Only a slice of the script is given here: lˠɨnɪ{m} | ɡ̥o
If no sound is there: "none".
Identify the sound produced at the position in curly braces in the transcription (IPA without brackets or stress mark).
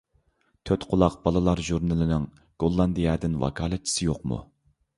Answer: ŋ